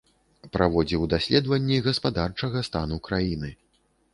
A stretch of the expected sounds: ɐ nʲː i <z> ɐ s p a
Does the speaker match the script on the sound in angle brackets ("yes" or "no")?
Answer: no